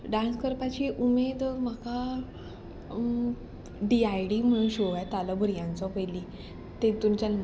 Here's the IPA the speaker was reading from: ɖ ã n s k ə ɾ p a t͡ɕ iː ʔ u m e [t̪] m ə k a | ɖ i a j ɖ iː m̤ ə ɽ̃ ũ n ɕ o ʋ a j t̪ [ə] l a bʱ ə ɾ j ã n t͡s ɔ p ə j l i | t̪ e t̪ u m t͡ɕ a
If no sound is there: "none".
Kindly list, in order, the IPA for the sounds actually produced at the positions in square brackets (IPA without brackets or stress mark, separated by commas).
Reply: d̪, a